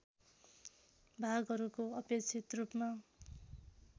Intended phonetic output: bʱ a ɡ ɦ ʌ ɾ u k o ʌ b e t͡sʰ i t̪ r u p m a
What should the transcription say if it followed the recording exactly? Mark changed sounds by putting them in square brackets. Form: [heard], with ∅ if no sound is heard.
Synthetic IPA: bʱ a ɡ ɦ ʌ ɾ u k o ʌ [p] e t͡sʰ i t̪ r u p m a